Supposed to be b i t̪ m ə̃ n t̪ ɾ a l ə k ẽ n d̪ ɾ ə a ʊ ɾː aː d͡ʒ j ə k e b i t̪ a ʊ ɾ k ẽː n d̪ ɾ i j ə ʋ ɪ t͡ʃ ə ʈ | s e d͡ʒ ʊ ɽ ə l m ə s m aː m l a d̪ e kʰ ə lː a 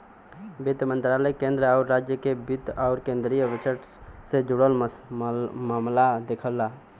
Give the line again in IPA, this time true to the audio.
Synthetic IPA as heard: b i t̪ m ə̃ n t̪ ɾ a l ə k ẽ n d̪ ɾ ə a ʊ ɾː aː d͡ʒ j ə k e b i t̪ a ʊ ɾ k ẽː n d̪ ɾ i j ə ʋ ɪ t͡ʃ ə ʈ | s e d͡ʒ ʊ ɽ ə l m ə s m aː m l a d̪ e kʰ ə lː a